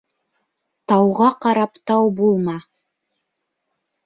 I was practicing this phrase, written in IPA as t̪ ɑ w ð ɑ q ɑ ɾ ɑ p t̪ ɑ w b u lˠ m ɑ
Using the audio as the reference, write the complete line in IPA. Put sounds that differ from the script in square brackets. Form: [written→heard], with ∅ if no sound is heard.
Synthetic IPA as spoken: t̪ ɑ w [ð→ʁ] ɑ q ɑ ɾ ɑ p t̪ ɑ w b u lˠ m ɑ